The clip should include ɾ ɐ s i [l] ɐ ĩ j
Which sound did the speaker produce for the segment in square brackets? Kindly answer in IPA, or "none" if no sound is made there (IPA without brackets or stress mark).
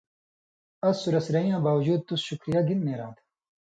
ɾ